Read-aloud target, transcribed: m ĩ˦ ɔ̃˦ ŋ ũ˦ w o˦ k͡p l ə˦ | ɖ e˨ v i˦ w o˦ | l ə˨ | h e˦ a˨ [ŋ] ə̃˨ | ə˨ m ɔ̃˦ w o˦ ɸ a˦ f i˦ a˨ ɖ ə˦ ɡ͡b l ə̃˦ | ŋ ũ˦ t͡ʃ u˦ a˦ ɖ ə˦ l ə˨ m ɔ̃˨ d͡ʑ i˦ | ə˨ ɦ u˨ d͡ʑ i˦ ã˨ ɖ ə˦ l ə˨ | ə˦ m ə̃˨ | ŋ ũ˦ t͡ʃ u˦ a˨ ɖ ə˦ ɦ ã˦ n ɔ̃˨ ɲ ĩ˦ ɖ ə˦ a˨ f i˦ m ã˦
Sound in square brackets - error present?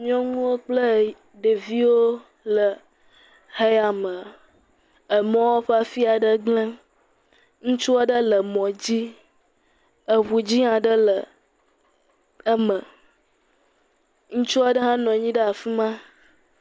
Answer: yes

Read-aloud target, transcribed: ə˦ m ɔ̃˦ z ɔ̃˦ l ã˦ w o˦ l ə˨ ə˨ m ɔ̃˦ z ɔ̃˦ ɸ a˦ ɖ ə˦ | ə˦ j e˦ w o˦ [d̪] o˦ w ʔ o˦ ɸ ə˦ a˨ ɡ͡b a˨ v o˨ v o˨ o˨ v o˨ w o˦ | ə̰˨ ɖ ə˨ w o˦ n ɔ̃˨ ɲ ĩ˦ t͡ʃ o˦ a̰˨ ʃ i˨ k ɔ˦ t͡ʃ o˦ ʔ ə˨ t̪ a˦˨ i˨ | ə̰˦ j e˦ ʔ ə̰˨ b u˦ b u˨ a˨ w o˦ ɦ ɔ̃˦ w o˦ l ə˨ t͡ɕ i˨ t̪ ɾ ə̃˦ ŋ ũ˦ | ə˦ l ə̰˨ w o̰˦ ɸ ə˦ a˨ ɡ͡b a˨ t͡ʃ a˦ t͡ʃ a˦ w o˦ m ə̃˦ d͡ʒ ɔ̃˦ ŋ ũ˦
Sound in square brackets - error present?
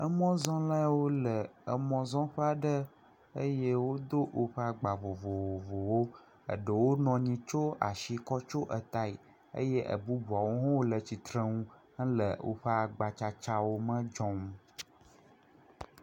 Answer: no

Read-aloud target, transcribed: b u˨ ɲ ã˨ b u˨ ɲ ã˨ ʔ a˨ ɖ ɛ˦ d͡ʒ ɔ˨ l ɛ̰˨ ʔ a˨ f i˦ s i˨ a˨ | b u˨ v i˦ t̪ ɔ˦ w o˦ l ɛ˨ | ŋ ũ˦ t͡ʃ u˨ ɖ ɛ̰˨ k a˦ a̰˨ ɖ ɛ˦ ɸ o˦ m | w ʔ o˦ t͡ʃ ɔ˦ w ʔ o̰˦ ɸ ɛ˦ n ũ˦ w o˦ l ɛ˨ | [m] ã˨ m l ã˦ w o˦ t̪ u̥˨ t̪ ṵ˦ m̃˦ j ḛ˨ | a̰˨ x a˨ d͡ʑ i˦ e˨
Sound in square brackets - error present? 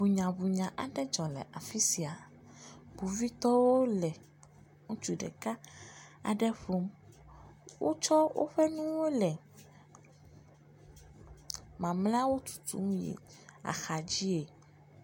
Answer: no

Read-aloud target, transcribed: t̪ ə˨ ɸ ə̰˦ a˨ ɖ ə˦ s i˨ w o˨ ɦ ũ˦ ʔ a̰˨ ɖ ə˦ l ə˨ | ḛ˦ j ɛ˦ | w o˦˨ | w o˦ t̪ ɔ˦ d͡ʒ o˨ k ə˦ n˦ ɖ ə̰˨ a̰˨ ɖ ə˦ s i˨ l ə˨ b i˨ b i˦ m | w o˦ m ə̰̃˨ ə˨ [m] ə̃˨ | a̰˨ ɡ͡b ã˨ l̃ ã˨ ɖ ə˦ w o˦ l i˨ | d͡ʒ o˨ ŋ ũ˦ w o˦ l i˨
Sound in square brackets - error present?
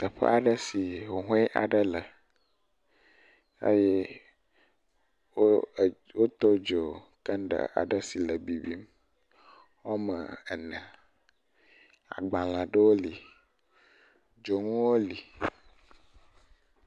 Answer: yes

